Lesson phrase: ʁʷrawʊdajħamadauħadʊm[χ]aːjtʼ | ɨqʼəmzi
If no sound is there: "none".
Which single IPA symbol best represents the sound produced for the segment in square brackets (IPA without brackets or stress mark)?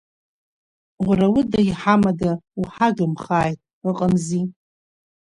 χ